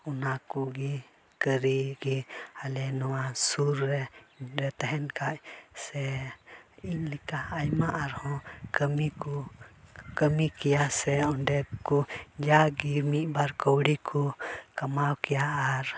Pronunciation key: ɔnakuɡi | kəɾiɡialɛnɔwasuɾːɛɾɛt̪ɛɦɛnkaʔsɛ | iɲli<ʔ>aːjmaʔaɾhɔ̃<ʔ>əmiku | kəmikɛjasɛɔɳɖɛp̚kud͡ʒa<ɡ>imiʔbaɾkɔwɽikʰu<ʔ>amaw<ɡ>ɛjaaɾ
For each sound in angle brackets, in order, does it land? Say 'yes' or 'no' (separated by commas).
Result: no, no, yes, no, no